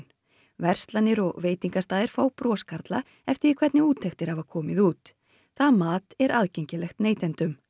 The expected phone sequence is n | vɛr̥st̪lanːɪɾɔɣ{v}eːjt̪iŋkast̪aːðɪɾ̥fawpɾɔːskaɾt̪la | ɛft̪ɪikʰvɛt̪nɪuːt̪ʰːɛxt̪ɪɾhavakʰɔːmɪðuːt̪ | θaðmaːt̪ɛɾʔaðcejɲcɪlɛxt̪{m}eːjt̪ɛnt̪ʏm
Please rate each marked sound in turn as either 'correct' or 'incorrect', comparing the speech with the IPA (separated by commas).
correct, incorrect